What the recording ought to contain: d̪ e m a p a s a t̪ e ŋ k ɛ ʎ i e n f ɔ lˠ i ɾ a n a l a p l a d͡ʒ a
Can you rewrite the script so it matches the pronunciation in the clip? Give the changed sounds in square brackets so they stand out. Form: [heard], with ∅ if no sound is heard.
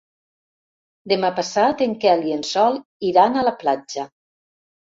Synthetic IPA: d̪ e m a p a s a t̪ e ŋ k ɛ [l] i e n [s] ɔ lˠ i ɾ a n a l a p l a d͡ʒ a